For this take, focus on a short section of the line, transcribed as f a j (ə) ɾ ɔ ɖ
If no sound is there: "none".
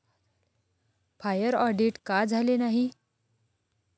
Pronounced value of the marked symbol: ə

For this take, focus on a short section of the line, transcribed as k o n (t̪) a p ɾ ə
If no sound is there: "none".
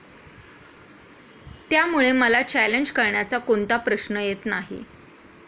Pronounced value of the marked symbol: t̪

